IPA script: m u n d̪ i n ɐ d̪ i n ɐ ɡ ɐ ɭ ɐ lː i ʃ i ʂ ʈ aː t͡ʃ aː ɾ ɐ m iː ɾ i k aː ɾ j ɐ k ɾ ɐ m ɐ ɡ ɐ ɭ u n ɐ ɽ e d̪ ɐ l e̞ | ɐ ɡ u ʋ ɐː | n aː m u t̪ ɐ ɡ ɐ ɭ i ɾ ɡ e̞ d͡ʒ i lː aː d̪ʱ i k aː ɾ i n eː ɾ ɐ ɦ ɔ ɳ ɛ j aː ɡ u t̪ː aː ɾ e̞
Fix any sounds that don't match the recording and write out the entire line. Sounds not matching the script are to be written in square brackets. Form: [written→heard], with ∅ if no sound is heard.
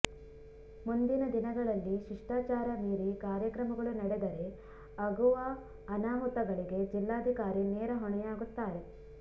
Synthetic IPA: m u n d̪ i n ɐ d̪ i n ɐ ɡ ɐ ɭ ɐ lː i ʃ i ʂ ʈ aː t͡ʃ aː ɾ ɐ m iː ɾ i k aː ɾ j ɐ k ɾ ɐ m ɐ ɡ ɐ ɭ u n ɐ ɽ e d̪ ɐ [l→ɾ] e̞ | ɐ ɡ u ʋ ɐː | n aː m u t̪ ɐ ɡ ɐ ɭ i [ɾ→∅] ɡ e̞ d͡ʒ i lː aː d̪ʱ i k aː ɾ i n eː ɾ ɐ ɦ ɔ ɳ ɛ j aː ɡ u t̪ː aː ɾ e̞

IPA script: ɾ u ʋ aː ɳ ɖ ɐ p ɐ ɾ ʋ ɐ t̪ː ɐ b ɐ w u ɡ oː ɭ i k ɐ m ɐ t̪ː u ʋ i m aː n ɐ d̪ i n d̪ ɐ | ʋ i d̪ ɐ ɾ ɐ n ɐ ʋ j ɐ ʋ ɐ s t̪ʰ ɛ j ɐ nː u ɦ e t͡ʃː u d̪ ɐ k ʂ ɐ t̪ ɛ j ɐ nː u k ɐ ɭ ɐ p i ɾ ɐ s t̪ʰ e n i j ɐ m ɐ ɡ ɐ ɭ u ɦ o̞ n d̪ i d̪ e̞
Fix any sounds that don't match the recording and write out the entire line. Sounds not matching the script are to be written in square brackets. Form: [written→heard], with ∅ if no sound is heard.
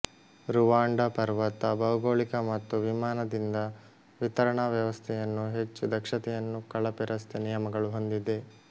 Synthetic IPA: ɾ u ʋ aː ɳ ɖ ɐ p ɐ ɾ ʋ ɐ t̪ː ɐ b ɐ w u ɡ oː ɭ i k ɐ m ɐ t̪ː u ʋ i m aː n ɐ d̪ i n d̪ ɐ | ʋ i [d̪→t̪] ɐ ɾ ɐ [n→ɳ] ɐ ʋ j ɐ ʋ ɐ s t̪ʰ ɛ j ɐ nː u ɦ e t͡ʃː u d̪ ɐ k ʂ ɐ t̪ ɛ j ɐ nː u k ɐ ɭ ɐ p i ɾ ɐ s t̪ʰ e n i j ɐ m ɐ ɡ ɐ ɭ u ɦ o̞ n d̪ i d̪ e̞

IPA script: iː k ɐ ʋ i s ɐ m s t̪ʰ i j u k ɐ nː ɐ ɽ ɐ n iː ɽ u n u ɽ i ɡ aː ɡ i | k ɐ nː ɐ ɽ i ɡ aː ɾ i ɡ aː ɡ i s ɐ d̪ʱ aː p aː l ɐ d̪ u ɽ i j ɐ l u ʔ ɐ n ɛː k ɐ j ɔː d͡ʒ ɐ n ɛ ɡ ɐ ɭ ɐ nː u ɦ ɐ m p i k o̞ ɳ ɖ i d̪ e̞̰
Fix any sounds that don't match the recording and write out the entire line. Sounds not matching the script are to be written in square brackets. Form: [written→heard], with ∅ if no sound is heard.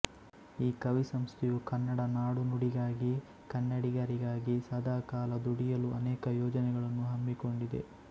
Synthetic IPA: iː k ɐ ʋ i s ɐ m s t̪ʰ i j u k ɐ nː ɐ ɽ ɐ n [iː→aː] ɽ u n u ɽ i ɡ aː ɡ i | k ɐ nː ɐ ɽ i ɡ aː ɾ i ɡ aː ɡ i s ɐ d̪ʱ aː [p→k] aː l ɐ d̪ u ɽ i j ɐ l u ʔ ɐ n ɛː k ɐ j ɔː d͡ʒ ɐ n ɛ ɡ ɐ ɭ ɐ nː u ɦ ɐ m [p→b] i k o̞ ɳ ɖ i d̪ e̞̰

